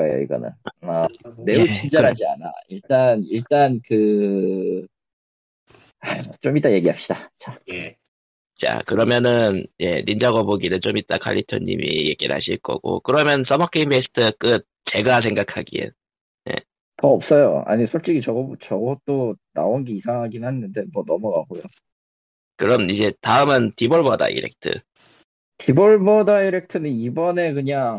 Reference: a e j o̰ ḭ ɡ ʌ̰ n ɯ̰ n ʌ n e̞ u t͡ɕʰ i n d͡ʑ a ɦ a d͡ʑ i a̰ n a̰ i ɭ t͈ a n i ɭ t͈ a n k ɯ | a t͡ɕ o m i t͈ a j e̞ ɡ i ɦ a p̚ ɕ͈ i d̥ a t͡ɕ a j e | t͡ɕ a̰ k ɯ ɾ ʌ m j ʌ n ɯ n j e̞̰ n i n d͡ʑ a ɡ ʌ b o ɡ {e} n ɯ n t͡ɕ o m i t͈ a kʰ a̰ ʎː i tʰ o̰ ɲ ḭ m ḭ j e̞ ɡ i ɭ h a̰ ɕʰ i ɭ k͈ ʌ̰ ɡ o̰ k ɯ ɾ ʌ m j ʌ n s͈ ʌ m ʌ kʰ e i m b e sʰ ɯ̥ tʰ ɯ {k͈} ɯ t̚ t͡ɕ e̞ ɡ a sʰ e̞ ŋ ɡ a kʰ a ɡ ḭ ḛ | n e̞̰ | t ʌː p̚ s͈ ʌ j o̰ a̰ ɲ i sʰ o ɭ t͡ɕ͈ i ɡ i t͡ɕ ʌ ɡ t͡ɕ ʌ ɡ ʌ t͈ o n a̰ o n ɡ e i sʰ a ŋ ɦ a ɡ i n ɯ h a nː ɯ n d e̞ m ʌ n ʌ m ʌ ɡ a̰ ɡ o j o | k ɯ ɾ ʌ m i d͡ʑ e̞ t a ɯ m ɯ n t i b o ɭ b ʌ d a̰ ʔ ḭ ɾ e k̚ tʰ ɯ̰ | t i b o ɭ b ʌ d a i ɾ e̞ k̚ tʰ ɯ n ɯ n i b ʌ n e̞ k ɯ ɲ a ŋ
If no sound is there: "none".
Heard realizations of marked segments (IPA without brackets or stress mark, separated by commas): i, k͈